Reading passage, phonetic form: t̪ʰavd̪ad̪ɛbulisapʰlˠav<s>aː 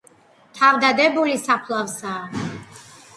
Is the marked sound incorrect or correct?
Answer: correct